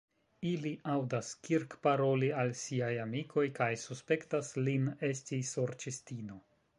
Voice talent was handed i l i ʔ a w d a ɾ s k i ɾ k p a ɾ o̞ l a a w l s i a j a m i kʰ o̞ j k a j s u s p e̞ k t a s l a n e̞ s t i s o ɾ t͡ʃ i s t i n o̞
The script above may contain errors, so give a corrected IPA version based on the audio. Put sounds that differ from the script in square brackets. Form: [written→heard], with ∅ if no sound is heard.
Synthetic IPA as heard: i l i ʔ a w d a [ɾ→∅] s k i ɾ k p a ɾ o̞ l [a→i] a [w→∅] l s i a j a m i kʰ o̞ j k a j s u s p e̞ k t a s l [a→i] n e̞ s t i s o ɾ t͡ʃ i s t i n o̞